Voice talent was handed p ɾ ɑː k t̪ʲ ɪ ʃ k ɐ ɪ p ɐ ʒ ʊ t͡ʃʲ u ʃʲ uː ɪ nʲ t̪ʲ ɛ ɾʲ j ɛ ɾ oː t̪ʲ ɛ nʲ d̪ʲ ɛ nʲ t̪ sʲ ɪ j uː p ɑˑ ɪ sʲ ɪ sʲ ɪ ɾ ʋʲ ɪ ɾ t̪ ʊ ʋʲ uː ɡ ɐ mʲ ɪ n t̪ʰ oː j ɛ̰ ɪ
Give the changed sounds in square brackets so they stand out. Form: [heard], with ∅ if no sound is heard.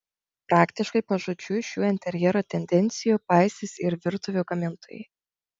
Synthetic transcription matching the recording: p ɾ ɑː k t̪ʲ ɪ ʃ k ɐ ɪ p ɐ ʒ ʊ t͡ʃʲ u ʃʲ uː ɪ nʲ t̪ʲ ɛ ɾʲ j ɛ ɾ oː t̪ʲ ɛ nʲ d̪ʲ ɛ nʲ t̪ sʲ ɪ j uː p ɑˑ ɪ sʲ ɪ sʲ ɪ ɾ ʋʲ ɪ ɾ t̪ ʊ ʋʲ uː ɡ ɐ mʲ ɪ n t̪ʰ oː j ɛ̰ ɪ